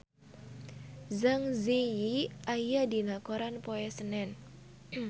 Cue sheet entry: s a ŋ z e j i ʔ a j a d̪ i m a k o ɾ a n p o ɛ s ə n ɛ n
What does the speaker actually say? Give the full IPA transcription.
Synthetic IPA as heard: z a ŋ z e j i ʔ a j a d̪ i n a k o ɾ a n p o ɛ s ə n ɛ n